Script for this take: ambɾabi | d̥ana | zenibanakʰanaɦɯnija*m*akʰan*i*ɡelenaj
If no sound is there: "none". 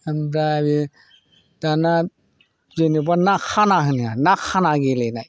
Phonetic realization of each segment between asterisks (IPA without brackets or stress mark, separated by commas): n, a